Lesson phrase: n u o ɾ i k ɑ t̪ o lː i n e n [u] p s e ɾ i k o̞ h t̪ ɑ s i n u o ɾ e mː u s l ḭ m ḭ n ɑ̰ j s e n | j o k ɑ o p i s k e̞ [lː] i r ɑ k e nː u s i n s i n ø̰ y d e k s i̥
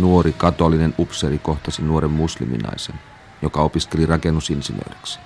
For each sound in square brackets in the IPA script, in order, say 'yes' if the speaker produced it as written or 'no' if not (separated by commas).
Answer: yes, no